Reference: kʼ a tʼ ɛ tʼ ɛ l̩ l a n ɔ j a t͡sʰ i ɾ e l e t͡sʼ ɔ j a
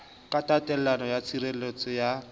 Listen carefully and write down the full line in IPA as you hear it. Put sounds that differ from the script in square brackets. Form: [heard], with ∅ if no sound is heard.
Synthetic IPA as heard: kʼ a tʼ [a] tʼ ɛ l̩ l a n ɔ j a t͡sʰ i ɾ e l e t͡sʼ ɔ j a